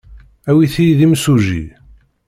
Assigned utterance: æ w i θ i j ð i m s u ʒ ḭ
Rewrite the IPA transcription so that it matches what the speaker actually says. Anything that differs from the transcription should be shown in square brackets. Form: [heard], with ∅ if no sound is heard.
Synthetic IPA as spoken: æ w i θ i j ð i m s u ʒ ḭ